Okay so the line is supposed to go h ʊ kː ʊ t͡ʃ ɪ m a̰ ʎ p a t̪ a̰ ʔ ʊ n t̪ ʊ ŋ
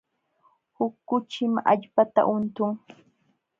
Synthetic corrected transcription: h ʊ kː ʊ t͡ʃ ɪ m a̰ ʎ p a t̪ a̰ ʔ ʊ n t̪ ʊ ŋ